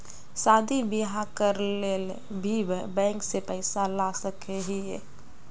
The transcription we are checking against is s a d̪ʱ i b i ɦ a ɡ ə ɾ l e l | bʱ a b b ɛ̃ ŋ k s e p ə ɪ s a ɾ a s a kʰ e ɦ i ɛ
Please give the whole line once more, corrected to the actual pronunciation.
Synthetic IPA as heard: s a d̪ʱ i b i ɦ a k ə ɾ l e l | bʱ i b b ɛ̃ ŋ k s e p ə ɪ s a l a s ə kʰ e ɦ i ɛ

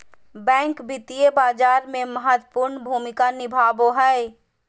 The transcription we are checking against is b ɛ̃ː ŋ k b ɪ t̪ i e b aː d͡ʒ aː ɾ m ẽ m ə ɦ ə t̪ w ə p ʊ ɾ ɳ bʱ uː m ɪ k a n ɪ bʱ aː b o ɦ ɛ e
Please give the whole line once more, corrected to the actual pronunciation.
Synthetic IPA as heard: b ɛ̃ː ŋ k b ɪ t̪ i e b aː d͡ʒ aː ɾ m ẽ m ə ɦ ə t̪ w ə p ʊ ɾ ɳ bʱ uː m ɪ k a n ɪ bʱ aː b o ɦ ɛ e

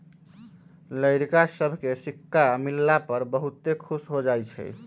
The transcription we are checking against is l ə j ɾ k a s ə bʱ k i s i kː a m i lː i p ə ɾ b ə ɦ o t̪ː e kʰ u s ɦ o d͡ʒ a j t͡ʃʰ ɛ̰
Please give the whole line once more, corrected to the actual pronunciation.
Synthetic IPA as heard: l ə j ɾ k a s ə bʱ k e s i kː a m i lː a p ə ɾ b ə ɦ u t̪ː e kʰ u s ɦ o d͡ʒ a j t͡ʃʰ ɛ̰

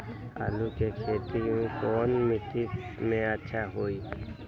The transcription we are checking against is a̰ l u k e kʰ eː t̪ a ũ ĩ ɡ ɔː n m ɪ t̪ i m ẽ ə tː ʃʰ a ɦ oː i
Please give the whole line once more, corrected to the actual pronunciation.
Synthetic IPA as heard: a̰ l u k e kʰ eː t̪ i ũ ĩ k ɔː n m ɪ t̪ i m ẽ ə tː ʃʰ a ɦ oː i

